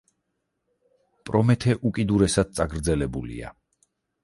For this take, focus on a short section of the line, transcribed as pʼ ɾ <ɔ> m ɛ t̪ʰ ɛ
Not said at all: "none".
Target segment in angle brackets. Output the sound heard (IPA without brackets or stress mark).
ɔ